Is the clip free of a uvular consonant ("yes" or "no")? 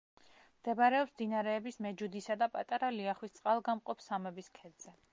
no